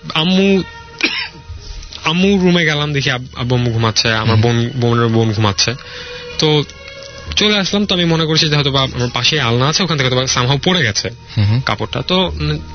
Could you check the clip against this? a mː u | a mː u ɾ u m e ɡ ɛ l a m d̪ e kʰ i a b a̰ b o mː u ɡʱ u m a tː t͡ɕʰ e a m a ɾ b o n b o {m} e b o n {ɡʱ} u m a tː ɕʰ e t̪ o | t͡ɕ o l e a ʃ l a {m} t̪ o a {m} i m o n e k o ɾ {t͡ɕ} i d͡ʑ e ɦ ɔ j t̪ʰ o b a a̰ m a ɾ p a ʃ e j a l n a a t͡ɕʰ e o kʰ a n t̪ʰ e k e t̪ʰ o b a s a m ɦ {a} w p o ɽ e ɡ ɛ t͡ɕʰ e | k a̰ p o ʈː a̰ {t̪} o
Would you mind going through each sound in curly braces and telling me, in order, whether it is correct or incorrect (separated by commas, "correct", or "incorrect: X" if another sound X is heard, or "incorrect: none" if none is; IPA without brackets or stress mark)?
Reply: incorrect: n, correct, correct, correct, incorrect: t͡ɕʰ, correct, correct